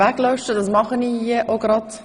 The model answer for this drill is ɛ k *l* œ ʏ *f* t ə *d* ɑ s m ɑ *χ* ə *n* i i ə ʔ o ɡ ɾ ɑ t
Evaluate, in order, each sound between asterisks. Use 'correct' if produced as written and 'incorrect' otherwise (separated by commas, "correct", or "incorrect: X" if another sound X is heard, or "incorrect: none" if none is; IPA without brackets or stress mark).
correct, incorrect: ʃ, correct, correct, correct